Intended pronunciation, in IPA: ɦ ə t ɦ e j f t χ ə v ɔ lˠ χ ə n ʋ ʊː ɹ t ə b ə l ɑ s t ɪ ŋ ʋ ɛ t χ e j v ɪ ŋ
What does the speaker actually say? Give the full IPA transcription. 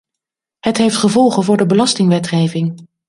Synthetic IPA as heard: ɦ ə t ɦ e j f t χ ə v ɔ lˠ χ ə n v ʊː ɹ d ə b ə l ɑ s t ɪ ŋ ʋ ɛ t χ e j v ɪ ŋ